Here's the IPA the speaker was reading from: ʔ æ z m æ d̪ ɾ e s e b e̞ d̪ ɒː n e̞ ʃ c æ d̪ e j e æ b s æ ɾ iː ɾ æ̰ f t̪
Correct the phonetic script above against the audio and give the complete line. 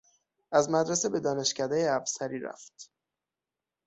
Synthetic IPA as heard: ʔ æ z m æ d̪ ɾ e s e b e̞ d̪ ɒː n e̞ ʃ c æ d̪ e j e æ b s æ ɾ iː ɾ æ̰ f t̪